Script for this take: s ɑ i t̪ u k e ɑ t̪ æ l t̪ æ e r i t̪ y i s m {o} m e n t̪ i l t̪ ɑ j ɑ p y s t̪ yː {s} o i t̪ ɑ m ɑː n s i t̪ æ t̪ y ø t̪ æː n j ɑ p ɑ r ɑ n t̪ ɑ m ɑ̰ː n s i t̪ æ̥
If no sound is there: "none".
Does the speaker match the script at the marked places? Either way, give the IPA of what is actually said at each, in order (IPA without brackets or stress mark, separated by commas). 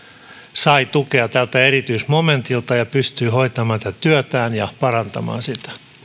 o, h